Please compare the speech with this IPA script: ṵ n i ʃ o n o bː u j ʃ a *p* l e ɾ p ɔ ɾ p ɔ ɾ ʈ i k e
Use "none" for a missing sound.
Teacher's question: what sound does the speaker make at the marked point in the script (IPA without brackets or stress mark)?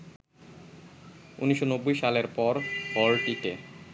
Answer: none